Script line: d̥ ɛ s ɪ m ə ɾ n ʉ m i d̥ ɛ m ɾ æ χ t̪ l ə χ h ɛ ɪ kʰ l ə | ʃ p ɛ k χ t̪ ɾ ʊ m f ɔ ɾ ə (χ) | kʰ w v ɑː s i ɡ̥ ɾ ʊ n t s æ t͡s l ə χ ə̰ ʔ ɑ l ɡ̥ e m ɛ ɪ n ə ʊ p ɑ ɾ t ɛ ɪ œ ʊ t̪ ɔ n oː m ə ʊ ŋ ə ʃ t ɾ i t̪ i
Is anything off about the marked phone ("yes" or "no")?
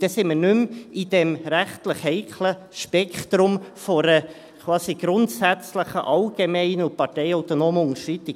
yes